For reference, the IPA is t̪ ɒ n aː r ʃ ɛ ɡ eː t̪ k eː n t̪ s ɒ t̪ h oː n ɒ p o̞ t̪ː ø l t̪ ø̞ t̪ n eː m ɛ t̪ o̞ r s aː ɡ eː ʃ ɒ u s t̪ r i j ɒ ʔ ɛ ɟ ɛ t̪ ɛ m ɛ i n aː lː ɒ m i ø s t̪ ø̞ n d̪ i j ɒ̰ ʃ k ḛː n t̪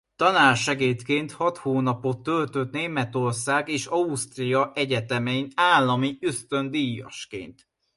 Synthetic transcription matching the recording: t̪ ɒ n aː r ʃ ɛ ɡ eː t̪ k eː n t̪ h ɒ t̪ h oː n ɒ p o̞ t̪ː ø l t̪ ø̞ t̪ n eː m ɛ t̪ o̞ r s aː ɡ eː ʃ ɒ u s t̪ r i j ɒ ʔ ɛ ɟ ɛ t̪ ɛ m ɛ i n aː lː ɒ m i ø s t̪ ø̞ n d̪ i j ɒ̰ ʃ k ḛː n t̪